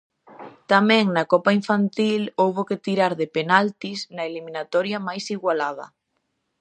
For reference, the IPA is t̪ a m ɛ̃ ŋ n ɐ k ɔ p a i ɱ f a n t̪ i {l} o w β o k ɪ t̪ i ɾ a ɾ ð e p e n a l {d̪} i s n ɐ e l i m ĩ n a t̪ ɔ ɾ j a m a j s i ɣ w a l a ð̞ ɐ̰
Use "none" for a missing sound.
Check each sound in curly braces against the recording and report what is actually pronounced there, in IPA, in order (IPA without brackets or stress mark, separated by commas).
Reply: l, t̪